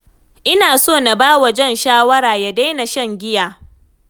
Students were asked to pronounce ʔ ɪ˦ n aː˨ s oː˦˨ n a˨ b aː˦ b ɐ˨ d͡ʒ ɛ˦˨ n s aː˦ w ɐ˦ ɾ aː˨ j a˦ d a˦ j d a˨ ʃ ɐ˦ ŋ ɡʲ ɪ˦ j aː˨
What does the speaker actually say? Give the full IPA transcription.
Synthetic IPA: ʔ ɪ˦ n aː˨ s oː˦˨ n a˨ b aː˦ w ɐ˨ d͡ʒ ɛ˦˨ n ʃ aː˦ w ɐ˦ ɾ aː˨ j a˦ d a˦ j n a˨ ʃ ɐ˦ ŋ ɡʲ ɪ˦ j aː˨